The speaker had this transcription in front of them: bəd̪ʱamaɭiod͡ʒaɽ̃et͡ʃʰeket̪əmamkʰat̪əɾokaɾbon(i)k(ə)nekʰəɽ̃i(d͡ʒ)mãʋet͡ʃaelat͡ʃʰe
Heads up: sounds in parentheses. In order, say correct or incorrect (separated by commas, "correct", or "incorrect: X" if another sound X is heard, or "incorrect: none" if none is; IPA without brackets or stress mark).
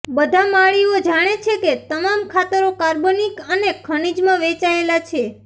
correct, correct, correct